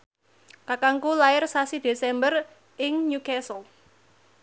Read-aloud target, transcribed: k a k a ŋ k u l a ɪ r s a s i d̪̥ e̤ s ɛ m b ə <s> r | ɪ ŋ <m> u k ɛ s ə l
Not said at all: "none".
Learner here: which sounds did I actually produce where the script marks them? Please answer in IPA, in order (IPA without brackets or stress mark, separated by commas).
none, ɲ